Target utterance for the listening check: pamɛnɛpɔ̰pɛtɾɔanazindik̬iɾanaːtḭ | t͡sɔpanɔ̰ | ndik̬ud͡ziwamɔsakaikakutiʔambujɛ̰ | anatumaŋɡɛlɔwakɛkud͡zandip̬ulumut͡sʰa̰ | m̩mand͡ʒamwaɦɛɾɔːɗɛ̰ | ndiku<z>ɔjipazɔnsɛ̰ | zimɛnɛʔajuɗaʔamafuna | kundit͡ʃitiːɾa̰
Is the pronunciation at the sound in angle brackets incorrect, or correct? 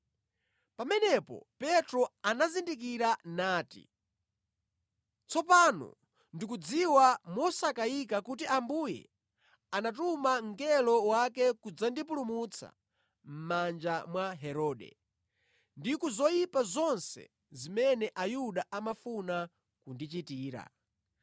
correct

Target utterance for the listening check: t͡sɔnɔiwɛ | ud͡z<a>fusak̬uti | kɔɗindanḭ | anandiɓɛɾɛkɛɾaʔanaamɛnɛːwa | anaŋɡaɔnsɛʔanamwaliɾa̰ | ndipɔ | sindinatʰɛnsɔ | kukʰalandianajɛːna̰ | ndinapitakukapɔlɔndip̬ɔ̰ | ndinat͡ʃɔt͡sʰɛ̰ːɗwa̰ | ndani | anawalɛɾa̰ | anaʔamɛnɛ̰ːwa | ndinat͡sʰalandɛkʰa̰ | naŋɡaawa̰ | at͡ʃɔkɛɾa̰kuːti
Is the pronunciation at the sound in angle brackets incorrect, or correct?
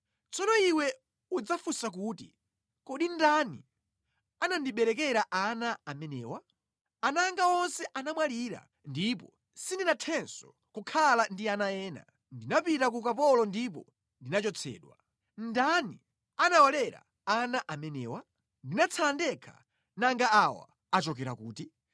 correct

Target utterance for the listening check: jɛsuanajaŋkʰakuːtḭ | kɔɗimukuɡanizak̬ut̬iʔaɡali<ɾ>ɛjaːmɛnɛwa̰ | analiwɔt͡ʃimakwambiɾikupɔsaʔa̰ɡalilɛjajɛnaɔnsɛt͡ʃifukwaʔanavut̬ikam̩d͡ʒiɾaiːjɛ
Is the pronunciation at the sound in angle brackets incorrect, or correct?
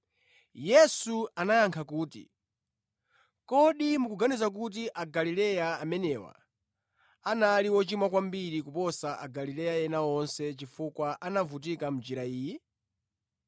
incorrect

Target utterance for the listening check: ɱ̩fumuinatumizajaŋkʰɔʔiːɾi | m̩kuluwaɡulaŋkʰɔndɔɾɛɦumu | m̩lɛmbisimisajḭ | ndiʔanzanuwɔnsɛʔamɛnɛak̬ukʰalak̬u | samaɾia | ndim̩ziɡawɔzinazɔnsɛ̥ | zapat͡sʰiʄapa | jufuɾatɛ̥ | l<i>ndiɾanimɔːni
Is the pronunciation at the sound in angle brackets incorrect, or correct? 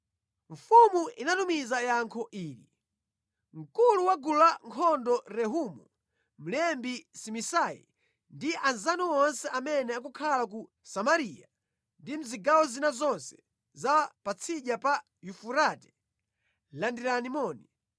incorrect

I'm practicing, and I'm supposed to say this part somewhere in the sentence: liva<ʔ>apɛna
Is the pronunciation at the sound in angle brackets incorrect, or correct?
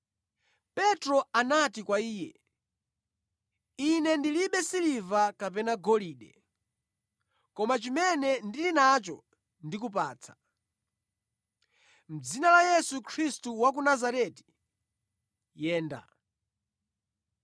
incorrect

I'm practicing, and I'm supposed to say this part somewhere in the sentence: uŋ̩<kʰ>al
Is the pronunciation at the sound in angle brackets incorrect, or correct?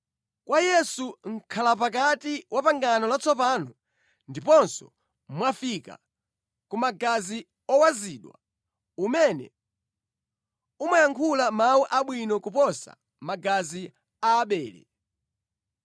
correct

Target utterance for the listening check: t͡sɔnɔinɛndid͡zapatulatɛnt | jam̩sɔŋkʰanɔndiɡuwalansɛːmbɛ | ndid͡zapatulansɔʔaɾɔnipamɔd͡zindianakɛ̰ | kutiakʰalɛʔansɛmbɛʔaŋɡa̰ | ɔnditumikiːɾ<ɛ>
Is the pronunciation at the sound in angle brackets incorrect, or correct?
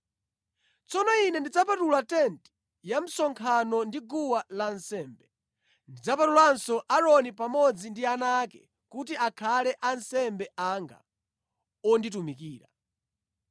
incorrect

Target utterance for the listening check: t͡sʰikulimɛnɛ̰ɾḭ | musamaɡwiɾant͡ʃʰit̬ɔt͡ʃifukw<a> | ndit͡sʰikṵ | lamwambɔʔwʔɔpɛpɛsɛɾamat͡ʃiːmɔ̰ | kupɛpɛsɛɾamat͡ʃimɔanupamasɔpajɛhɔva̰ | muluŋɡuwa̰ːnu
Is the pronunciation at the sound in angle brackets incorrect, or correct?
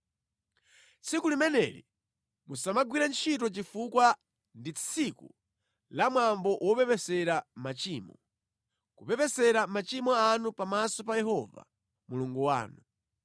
correct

